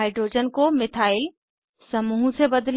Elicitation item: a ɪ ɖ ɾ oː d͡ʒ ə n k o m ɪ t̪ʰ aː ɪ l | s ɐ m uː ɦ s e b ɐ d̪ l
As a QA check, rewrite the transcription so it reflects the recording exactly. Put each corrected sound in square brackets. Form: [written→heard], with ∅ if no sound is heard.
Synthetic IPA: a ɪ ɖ ɾ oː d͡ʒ ə n k o m ɪ t̪ʰ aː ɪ l | s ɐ m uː ɦ s e b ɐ d̪ l